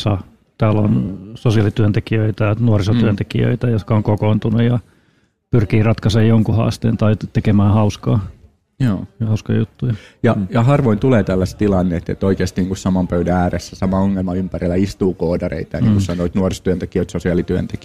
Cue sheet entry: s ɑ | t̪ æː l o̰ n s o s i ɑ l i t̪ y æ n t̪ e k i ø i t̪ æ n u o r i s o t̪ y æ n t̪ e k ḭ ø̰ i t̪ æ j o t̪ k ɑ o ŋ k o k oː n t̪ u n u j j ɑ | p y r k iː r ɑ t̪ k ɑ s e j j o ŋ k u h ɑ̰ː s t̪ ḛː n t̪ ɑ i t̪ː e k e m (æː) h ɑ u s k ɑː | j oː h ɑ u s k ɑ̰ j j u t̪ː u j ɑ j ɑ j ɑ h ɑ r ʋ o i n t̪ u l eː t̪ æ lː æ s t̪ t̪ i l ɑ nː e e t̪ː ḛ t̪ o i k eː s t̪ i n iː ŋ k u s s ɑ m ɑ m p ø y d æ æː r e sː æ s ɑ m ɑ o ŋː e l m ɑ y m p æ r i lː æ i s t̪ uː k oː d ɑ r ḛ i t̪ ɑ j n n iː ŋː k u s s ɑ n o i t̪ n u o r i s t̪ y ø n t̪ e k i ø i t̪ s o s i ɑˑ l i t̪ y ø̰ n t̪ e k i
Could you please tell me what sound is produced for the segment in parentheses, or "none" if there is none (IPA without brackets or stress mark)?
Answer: æː